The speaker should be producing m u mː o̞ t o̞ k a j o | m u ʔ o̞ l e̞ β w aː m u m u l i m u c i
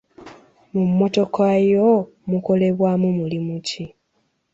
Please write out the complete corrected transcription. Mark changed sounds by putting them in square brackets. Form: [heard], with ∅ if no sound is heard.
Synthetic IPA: m u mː o̞ t o̞ k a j o | m u [k] o̞ l e̞ β w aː m u m u l i m u c i